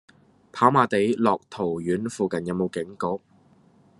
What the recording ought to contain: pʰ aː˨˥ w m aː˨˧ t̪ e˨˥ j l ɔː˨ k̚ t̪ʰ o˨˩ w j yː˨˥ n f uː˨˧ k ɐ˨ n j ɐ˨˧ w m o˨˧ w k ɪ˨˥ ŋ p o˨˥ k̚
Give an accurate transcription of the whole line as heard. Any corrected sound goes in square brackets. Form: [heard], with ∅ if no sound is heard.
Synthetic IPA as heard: pʰ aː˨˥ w m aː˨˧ t̪ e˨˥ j l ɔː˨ k̚ t̪ʰ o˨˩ w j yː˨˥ n f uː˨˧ k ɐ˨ n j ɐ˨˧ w m o˨˧ w k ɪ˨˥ ŋ [k] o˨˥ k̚